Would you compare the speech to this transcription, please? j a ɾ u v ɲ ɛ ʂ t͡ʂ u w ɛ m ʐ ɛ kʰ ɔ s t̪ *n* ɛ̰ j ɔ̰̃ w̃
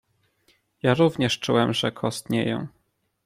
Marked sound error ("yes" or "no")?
yes